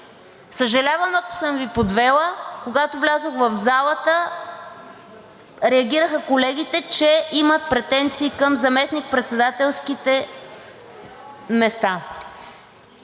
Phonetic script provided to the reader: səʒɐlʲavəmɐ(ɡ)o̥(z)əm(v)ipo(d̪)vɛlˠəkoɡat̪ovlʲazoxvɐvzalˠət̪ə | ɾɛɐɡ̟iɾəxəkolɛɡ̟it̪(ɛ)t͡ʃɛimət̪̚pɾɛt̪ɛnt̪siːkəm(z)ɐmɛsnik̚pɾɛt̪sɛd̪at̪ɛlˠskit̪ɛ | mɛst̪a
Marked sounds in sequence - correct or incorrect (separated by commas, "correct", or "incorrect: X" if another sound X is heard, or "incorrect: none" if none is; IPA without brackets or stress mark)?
incorrect: k, incorrect: s, correct, correct, correct, correct